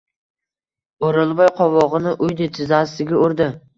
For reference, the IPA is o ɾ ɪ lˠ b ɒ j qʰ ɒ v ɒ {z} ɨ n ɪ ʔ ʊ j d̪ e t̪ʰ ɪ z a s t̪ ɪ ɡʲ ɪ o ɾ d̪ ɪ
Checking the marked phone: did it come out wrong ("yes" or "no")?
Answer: yes